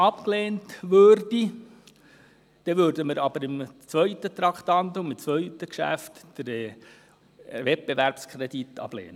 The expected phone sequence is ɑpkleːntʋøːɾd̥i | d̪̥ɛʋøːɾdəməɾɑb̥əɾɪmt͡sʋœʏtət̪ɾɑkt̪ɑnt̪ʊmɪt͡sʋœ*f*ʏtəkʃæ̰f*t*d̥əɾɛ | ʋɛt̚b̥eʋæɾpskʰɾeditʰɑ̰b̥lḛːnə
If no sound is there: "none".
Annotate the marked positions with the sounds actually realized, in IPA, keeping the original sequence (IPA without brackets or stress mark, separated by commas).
none, t